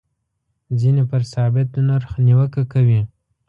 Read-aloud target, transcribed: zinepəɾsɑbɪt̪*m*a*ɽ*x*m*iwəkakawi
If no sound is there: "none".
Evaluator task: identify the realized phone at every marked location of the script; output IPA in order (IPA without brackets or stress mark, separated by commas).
n, ɾ, n